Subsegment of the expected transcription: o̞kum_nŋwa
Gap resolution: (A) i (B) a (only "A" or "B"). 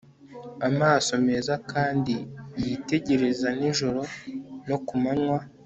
B